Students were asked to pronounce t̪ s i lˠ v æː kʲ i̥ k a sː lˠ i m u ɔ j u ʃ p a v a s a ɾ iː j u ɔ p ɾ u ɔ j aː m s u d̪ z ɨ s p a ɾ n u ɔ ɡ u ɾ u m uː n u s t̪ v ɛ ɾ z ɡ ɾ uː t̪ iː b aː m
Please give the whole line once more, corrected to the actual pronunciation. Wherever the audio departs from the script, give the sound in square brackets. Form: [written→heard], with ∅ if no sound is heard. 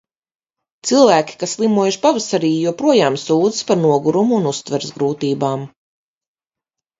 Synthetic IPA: t̪ s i lˠ v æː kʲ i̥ k a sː lˠ i m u ɔ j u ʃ p a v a s a ɾ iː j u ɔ p ɾ u ɔ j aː m s [u→uː] d̪ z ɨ s p a ɾ n u ɔ ɡ u ɾ u m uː n u s t̪ v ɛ ɾ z ɡ ɾ uː t̪ iː b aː m